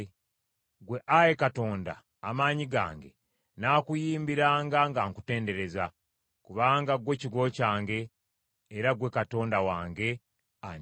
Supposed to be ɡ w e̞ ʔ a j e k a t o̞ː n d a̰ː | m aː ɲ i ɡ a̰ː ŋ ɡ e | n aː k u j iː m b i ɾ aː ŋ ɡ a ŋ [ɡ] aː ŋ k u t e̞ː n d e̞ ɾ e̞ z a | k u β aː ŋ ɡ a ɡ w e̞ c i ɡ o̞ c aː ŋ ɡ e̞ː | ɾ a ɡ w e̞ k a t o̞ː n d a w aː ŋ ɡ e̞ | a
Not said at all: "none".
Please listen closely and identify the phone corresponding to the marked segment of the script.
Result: ɡ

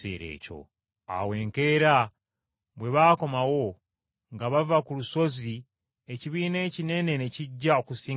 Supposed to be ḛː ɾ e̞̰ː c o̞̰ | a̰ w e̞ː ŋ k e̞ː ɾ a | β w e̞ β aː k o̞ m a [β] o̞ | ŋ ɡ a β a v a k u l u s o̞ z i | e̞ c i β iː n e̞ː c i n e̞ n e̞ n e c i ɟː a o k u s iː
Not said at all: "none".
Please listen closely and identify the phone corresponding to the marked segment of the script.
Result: w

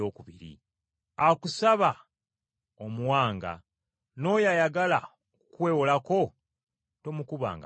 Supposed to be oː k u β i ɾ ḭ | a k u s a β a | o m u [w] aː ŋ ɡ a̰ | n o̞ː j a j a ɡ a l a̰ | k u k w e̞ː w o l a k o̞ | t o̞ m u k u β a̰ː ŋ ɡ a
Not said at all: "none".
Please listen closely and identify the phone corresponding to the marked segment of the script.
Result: w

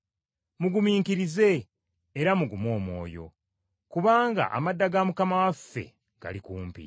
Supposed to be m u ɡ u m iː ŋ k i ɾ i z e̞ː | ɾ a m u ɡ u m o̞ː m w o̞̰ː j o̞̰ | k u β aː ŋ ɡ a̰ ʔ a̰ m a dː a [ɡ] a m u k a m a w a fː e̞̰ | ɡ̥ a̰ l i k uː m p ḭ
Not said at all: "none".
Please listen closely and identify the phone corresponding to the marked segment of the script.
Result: ɡ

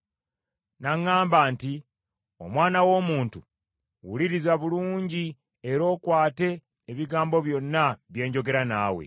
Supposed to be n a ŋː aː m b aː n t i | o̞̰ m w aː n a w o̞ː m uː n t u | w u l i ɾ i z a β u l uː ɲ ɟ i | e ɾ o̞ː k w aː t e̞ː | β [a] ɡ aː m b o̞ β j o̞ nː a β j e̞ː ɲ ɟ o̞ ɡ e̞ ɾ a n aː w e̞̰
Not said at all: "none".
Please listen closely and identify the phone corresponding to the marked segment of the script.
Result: i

